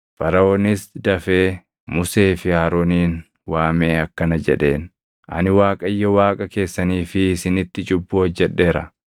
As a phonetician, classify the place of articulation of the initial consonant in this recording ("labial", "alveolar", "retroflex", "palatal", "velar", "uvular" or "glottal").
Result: labial